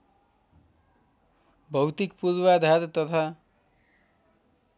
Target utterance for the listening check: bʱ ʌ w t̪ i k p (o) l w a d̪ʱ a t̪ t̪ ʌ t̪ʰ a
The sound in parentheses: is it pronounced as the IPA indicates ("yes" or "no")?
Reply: no